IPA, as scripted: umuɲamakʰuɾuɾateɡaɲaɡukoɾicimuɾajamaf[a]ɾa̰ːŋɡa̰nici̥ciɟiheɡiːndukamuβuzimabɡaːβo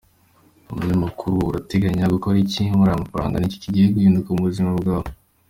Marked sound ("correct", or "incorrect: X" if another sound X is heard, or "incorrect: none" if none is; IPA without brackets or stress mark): correct